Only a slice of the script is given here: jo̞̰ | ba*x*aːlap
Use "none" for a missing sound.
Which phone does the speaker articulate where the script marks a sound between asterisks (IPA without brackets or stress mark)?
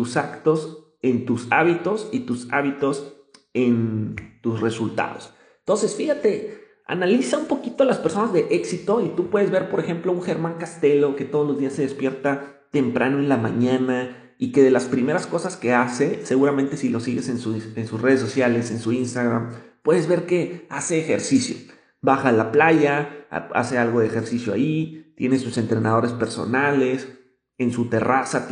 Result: x